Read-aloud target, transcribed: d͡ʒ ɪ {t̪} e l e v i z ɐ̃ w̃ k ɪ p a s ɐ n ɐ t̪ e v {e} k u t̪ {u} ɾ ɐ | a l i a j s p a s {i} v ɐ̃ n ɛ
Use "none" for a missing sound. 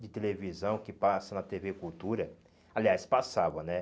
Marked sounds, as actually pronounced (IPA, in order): t̪, e, u, a

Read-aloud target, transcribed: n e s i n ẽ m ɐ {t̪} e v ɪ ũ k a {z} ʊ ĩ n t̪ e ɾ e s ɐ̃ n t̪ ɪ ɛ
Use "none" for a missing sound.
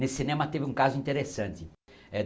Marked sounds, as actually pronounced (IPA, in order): t̪, z

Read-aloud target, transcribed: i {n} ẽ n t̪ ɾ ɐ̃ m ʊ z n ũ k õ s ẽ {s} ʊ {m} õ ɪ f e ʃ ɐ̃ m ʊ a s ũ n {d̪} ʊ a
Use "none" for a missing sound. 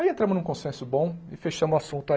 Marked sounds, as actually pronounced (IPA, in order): none, s, b, t̪

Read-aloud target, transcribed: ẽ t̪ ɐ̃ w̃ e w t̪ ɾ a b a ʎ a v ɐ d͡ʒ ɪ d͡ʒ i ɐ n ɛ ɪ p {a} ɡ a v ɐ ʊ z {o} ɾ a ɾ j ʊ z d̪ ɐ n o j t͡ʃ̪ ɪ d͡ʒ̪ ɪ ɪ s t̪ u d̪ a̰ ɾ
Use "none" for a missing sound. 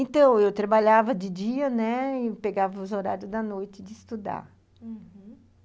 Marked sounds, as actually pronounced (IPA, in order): e, o

